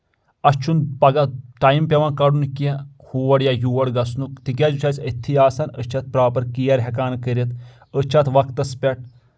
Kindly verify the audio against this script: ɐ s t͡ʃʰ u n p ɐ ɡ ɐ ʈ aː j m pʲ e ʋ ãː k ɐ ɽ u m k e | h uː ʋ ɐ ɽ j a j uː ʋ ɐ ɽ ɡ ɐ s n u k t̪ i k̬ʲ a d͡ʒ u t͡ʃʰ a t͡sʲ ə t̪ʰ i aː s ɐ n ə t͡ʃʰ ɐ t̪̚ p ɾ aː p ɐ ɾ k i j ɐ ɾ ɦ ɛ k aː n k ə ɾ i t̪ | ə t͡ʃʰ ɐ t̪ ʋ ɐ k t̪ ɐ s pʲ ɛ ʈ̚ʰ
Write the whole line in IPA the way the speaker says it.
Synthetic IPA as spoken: ɐ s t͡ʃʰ u n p ɐ ɡ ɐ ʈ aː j m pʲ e ʋ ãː k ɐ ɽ u n k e | h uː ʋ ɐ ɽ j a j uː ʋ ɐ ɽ ɡ ɐ s n u k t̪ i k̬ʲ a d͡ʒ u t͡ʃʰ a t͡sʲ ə t̪ʰ i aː s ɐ n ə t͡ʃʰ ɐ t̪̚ p ɾ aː p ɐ ɾ k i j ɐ ɾ ɦ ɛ k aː n k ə ɾ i t̪ | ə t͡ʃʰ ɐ t̪ ʋ ɐ k t̪ ɐ s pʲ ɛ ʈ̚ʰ